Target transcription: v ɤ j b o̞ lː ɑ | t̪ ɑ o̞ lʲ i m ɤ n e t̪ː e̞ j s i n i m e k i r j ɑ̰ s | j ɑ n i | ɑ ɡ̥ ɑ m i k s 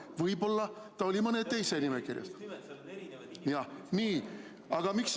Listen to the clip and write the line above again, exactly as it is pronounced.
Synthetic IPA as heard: v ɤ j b o̞ lː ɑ | t̪ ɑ o̞ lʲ i m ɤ n e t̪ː e̞ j s e n i m e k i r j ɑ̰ s | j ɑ n iː | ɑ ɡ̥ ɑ m i k s